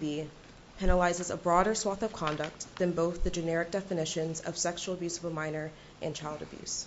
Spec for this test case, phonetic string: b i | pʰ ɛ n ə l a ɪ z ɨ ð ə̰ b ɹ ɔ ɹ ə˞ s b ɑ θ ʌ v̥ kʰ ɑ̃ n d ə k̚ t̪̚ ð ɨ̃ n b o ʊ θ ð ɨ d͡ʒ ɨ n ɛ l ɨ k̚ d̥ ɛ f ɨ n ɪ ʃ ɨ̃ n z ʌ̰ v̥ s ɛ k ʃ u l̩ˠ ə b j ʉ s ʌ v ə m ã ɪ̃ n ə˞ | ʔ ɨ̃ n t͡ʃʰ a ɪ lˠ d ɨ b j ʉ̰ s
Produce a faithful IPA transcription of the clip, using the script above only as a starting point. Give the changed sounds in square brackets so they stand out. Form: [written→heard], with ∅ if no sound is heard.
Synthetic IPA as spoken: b i | pʰ ɛ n ə l a ɪ z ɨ [ð→z] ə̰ b ɹ ɔ [ɹ→ɾ] ə˞ s [b→w] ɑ θ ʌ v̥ kʰ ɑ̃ n d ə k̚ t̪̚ ð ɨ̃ n b o ʊ θ ð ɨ d͡ʒ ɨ n ɛ [l→ɹ] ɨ k̚ d̥ ɛ f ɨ n ɪ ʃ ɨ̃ n z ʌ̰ v̥ s ɛ k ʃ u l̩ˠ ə b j ʉ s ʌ v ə m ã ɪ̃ n ə˞ | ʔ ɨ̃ n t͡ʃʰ a ɪ lˠ d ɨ b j ʉ̰ s

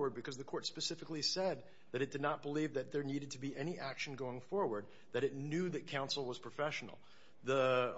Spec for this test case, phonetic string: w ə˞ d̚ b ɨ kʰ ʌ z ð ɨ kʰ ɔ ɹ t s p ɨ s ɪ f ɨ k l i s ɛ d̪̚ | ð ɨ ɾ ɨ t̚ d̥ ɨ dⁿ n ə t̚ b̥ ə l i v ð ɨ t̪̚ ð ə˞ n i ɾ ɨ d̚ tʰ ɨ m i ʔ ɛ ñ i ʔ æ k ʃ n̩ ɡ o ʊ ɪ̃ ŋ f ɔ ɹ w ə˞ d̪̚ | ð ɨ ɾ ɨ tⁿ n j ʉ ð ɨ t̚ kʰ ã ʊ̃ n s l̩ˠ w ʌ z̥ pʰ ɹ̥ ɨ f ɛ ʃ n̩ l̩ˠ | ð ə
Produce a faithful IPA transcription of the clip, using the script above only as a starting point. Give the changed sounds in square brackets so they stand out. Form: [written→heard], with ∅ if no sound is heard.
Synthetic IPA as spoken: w ə˞ d̚ b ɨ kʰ ʌ z ð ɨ kʰ ɔ ɹ t s p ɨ s ɪ f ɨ k l i s ɛ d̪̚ | ð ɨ ɾ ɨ t̚ d̥ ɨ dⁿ n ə t̚ b̥ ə l i v ð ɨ t̪̚ ð ə˞ n i ɾ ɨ d̚ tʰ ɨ [m→b] i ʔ ɛ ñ i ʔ æ k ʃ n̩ ɡ o ʊ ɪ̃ ŋ f ɔ ɹ w ə˞ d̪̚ | ð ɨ ɾ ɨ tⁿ n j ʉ ð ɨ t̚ kʰ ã ʊ̃ n s l̩ˠ w ʌ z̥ pʰ ɹ̥ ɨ f ɛ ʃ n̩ l̩ˠ | ð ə

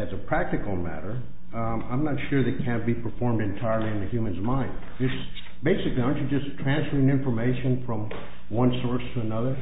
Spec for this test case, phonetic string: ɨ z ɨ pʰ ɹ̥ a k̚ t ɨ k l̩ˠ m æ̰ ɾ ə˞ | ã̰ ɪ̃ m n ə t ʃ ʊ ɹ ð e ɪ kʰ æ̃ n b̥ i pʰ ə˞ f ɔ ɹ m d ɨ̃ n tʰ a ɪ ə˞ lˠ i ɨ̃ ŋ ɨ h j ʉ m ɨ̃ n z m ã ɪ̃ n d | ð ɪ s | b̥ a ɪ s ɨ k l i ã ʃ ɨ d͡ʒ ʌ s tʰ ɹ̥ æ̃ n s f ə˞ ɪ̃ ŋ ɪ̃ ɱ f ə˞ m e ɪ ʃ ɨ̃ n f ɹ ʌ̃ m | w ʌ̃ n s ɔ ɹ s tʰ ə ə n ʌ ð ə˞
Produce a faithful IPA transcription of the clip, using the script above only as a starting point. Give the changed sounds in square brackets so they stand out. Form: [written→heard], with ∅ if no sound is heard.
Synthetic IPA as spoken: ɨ z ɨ pʰ ɹ̥ [a→æ] k̚ t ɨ k l̩ˠ m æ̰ ɾ ə˞ | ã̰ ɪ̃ m n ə t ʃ ʊ ɹ ð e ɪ kʰ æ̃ n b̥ i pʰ ə˞ f ɔ ɹ m d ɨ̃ n tʰ a ɪ ə˞ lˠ i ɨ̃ [ŋ→n] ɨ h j ʉ m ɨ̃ n z m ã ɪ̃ n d | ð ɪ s | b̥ [a→e] ɪ s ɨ k l i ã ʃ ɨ d͡ʒ ʌ s tʰ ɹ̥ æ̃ n s f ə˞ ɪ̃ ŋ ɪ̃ ɱ f ə˞ m e ɪ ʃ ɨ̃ n f ɹ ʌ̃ m | w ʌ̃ n s ɔ ɹ s tʰ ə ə n ʌ ð ə˞

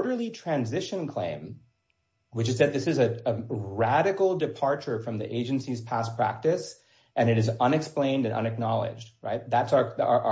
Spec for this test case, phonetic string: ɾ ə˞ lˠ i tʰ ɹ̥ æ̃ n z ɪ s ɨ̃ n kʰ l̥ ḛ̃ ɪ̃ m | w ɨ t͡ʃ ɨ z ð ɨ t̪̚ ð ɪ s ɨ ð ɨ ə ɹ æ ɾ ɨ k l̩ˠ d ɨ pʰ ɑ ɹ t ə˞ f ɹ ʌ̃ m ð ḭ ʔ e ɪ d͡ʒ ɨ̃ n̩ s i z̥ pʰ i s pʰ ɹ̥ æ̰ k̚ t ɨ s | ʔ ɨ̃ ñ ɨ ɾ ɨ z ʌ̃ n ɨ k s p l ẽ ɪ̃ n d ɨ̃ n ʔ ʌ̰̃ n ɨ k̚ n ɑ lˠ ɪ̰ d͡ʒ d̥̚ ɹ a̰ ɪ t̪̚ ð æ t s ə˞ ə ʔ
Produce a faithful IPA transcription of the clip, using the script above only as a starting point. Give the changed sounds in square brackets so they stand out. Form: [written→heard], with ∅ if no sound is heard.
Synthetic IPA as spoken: ɾ ə˞ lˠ i tʰ ɹ̥ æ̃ n z ɪ [s→ʃ] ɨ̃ n kʰ l̥ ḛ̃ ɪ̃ m | w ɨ t͡ʃ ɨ z ð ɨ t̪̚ ð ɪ s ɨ [ð→z] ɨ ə ɹ æ ɾ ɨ k l̩ˠ d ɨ pʰ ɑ ɹ [t→t͡ʃ] ə˞ f ɹ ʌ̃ m ð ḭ ʔ e ɪ d͡ʒ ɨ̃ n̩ s i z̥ pʰ [i→æ] s pʰ ɹ̥ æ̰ k̚ t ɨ s | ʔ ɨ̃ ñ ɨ ɾ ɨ z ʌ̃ n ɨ k s p l ẽ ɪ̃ n d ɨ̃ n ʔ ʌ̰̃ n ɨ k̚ n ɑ lˠ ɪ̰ d͡ʒ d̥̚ ɹ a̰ ɪ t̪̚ ð æ t s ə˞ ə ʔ

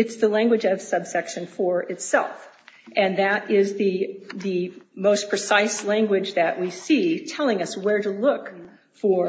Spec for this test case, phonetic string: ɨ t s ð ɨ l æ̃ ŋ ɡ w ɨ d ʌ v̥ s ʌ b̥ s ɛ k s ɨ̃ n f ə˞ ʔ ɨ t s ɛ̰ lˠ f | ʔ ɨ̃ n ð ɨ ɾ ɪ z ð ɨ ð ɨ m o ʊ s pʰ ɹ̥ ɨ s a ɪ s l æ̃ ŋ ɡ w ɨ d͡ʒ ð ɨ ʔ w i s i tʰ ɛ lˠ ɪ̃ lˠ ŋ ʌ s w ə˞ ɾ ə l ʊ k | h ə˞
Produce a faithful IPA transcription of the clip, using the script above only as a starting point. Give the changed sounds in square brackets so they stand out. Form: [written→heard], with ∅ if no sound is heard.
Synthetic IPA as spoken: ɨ t s ð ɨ l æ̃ ŋ ɡ w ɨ [d→d͡ʒ] ʌ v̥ s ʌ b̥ s ɛ k [s→ʃ] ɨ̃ n f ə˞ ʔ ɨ t s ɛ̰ lˠ f | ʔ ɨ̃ n ð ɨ ɾ ɪ z ð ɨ ð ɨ m o ʊ s pʰ ɹ̥ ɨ s a ɪ s l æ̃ ŋ ɡ w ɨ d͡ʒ ð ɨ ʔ w i s i tʰ ɛ lˠ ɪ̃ [lˠ→∅] ŋ ʌ s w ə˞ ɾ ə l ʊ k | [h→f] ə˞

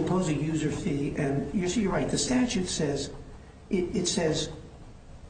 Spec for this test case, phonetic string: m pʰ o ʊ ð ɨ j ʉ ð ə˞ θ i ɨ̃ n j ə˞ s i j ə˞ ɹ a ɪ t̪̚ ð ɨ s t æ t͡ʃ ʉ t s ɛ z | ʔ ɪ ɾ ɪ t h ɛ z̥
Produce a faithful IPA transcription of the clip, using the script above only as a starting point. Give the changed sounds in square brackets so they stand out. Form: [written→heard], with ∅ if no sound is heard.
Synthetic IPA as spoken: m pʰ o ʊ [ð→z] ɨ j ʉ [ð→z] ə˞ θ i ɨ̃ n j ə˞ s i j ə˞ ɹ a ɪ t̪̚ ð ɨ s t æ t͡ʃ ʉ t s ɛ z | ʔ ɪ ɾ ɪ t [h→s] ɛ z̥

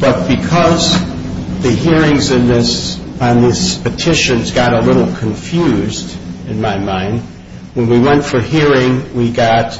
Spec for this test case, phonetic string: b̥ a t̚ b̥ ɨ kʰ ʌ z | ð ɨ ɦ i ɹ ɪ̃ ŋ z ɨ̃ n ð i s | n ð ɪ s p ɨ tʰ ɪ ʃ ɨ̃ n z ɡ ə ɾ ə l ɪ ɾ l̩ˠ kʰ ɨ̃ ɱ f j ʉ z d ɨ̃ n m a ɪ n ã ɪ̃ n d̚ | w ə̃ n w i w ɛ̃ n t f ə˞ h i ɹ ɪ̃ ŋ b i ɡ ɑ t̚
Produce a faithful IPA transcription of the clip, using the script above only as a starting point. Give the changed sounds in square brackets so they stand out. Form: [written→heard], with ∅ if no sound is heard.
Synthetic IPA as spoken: b̥ [a→ʌ] t̚ b̥ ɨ kʰ ʌ z | ð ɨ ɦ i ɹ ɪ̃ ŋ z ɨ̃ n ð [i→ɪ] s | n ð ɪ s p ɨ tʰ ɪ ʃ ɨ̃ n z ɡ [ə→ɑ] ɾ ə l ɪ ɾ l̩ˠ kʰ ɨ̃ ɱ f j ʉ z d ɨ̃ n m a ɪ [n→m] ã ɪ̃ n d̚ | w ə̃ n w i w ɛ̃ n t f ə˞ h i ɹ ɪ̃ ŋ [b→w] i ɡ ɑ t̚

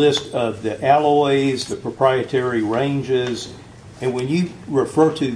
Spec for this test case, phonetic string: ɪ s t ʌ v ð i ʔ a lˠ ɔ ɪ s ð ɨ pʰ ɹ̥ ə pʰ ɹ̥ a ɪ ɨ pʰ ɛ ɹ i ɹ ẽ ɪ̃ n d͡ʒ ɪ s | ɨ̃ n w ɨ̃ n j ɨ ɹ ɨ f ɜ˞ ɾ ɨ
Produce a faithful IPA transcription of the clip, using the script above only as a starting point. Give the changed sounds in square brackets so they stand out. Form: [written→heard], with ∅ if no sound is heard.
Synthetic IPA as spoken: ɪ s t ʌ v ð i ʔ [a→æ] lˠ ɔ ɪ [s→z] ð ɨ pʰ ɹ̥ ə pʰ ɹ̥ a ɪ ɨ [pʰ→tʰ] ɛ ɹ i ɹ ẽ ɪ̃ n d͡ʒ ɪ [s→z] | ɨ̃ n w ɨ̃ n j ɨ ɹ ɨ f ɜ˞ ɾ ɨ

